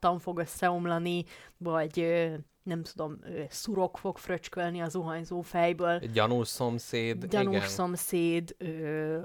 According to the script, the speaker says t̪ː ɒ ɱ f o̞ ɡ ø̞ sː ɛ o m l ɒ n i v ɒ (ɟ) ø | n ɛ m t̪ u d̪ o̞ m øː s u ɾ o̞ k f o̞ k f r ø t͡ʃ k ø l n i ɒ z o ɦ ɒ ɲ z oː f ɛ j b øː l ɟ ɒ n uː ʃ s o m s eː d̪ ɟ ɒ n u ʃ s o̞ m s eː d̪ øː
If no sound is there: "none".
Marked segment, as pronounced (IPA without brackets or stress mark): ɟ